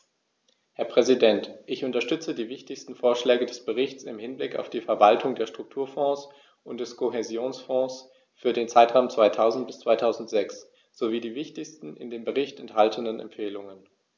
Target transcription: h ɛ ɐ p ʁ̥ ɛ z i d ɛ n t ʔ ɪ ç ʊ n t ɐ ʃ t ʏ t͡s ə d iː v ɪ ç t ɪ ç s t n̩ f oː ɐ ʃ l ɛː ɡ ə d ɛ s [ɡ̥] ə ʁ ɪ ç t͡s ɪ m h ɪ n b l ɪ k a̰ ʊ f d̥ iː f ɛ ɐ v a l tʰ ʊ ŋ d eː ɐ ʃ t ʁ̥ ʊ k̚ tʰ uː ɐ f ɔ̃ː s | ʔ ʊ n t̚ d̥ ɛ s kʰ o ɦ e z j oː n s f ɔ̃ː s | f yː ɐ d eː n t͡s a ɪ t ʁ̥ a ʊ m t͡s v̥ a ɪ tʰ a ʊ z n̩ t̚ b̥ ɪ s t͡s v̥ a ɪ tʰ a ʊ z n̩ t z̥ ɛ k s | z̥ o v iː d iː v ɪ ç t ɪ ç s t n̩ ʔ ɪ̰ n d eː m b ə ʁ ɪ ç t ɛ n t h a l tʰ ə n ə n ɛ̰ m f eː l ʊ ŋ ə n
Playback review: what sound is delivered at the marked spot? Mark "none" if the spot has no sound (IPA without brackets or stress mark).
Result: b̥